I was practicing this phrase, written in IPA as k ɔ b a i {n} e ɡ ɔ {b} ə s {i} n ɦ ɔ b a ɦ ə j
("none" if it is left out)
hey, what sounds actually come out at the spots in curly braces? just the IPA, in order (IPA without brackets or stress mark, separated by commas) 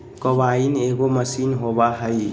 n, m, i